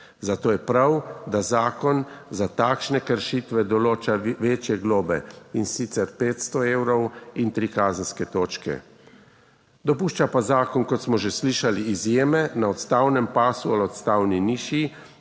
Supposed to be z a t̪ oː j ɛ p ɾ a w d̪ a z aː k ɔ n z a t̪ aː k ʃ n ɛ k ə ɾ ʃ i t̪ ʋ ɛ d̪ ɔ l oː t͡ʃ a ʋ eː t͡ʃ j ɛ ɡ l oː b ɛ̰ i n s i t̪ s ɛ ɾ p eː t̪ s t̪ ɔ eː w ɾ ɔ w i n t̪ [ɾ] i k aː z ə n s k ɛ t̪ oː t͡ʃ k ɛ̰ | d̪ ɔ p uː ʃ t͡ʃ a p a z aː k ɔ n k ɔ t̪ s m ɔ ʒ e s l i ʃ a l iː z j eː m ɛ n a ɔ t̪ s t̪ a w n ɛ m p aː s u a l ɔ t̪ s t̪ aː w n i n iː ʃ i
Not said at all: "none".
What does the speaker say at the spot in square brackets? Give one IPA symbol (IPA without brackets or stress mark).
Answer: ɾ